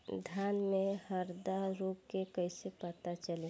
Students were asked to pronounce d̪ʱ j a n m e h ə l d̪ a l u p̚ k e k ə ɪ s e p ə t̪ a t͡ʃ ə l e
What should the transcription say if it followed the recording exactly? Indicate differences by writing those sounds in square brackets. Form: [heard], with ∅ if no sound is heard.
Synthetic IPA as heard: d̪ʱ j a n m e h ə [ɾ] d̪ a [ɾ] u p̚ k e k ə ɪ s e p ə t̪ a t͡ʃ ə l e